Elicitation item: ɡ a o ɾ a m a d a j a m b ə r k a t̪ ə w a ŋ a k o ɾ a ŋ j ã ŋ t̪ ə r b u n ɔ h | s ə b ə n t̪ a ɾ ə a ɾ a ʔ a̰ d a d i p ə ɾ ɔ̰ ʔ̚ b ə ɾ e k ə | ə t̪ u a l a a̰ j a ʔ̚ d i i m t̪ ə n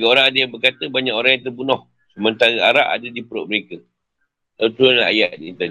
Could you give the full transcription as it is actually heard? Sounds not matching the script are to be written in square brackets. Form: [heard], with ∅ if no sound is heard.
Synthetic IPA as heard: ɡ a o ɾ a [ŋ] a d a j a [ŋ] b ə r k a t̪ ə [b] a [ɲ] a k o ɾ a ŋ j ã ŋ t̪ ə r b u n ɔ h | s ə [m] ə n t̪ a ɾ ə a ɾ a ʔ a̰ d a d i p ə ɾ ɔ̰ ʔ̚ [m] ə ɾ e k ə | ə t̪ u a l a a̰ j a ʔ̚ d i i [n] t̪ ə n